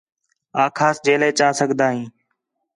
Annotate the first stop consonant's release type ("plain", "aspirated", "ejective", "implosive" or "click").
aspirated